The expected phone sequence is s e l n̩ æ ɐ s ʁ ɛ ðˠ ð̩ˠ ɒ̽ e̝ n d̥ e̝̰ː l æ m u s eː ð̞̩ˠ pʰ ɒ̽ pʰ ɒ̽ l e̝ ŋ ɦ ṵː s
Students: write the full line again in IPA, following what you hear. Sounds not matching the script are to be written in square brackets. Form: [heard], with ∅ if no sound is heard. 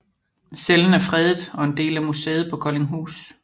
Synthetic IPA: s e l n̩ æ ɐ [f] ʁ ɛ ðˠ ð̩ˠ ɒ̽ e̝ n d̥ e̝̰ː l æ m u s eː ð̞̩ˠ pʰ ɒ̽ [kʰ] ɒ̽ l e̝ ŋ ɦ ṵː s

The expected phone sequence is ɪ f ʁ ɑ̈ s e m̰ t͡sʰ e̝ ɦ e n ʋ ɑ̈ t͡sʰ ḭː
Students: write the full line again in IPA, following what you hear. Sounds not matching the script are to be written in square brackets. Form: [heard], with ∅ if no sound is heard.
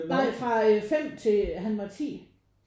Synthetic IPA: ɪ f ʁ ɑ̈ [f] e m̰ t͡sʰ e̝ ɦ [æ] n ʋ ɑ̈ t͡sʰ ḭː

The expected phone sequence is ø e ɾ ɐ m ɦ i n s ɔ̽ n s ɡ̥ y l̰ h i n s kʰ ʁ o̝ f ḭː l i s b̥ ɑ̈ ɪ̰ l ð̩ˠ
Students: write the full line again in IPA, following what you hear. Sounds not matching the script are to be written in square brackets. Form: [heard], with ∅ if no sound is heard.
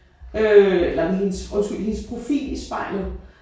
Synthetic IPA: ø e [l] ɐ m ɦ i n s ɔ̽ n s ɡ̥ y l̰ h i n s [pʰ] ʁ o̝ f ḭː l i s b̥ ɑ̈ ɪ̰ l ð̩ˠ

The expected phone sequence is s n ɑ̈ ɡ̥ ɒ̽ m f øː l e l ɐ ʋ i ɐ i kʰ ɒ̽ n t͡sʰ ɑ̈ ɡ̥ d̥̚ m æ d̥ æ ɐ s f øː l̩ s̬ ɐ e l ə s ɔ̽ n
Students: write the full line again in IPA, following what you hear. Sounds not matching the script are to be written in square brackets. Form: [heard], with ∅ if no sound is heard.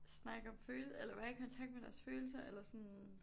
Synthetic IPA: s n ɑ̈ ɡ̥ ɒ̽ m f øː l e l ɐ ʋ [æ] ɐ i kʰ ɒ̽ n t͡sʰ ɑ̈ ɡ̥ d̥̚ m [e] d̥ æ ɐ s f øː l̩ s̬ ɐ e l [ɐ] s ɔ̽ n

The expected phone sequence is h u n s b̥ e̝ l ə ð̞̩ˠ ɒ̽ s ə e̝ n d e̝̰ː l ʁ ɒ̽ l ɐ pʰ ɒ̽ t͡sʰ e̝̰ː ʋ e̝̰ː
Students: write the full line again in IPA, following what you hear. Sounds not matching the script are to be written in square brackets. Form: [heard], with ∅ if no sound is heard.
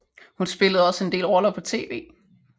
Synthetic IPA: h u n s b̥ e̝ l ə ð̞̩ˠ ɒ̽ s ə e̝ n d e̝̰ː l ʁ ɒ̽ l ɐ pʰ ɒ̽ t͡sʰ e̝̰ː ʋ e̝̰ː

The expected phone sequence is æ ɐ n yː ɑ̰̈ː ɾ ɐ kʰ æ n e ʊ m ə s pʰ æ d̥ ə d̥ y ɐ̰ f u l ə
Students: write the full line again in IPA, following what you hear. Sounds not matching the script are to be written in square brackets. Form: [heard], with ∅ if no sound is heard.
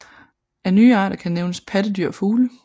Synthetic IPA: æ ɐ n yː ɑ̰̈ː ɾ ɐ kʰ æ n e ʊ [n] ə s pʰ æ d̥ ə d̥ y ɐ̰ f [uː] l ə

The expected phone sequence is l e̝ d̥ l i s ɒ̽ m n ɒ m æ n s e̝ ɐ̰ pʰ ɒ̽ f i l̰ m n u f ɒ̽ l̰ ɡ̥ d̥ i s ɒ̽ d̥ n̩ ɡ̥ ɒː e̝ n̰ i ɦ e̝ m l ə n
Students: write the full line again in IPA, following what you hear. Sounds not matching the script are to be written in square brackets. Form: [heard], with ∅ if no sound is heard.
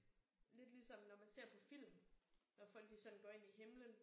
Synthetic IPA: l e̝ d̥ l i s ɒ̽ m n ɒ m æ n s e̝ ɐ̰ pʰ ɒ̽ f i l̰ m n [ɒ] f ɒ̽ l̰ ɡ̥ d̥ i s ɒ̽ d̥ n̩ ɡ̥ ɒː e̝ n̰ i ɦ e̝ m l ə n

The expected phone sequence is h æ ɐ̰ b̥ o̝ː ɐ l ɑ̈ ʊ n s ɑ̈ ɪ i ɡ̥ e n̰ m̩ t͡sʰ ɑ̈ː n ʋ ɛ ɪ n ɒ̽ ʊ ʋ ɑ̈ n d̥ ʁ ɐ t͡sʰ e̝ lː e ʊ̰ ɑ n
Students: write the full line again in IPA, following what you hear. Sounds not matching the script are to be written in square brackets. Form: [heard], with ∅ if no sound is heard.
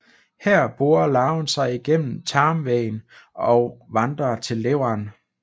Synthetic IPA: h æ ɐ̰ b̥ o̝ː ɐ l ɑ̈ ʊ n s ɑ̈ ɪ i ɡ̥ e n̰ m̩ t͡sʰ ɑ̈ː [m] ʋ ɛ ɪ n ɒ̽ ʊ ʋ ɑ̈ n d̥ ʁ ɐ t͡sʰ e̝ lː e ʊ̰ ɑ n

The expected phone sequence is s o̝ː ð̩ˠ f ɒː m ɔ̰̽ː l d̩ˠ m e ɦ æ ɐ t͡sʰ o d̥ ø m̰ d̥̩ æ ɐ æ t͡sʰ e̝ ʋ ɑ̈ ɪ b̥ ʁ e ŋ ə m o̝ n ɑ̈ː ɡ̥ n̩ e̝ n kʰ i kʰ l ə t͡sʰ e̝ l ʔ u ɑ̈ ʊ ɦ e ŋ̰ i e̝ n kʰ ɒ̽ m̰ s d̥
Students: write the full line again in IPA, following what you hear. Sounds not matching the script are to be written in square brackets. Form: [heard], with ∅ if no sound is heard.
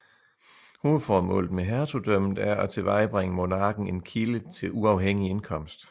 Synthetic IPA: [h] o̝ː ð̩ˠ f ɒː m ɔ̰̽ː l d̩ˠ m e ɦ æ ɐ t͡sʰ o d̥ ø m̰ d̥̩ æ ɐ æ t͡sʰ e̝ ʋ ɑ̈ ɪ b̥ ʁ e ŋ ə m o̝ n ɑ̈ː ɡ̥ n̩ e̝ n kʰ i [∅] l ə t͡sʰ e̝ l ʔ u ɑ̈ ʊ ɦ e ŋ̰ i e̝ n kʰ ɒ̽ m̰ s d̥

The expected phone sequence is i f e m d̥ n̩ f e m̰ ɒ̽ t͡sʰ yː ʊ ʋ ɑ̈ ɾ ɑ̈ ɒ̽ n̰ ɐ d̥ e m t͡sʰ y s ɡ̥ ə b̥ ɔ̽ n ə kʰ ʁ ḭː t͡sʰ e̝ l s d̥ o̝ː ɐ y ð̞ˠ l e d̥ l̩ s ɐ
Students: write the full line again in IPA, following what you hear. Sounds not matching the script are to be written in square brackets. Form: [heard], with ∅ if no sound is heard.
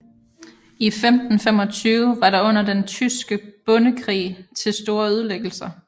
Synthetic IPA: i f e m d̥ n̩ f e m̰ ɒ̽ t͡sʰ yː ʊ ʋ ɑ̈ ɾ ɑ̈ [ɔ̽] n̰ ɐ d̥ e [n] t͡sʰ y s ɡ̥ ə b̥ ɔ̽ n ə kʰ ʁ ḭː t͡sʰ e̝ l s d̥ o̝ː ɐ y ð̞ˠ l e [ɡ̥] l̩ s ɐ

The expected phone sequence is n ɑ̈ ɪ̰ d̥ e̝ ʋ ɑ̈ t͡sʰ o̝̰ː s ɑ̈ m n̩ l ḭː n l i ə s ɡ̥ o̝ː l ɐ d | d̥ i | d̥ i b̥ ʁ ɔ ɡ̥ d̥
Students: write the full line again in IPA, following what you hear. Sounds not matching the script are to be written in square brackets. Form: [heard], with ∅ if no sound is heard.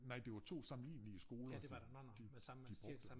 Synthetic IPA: n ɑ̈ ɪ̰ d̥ e̝ ʋ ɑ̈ t͡sʰ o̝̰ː s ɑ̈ m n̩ l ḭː n l i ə s ɡ̥ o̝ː l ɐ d | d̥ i | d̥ i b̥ ʁ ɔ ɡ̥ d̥

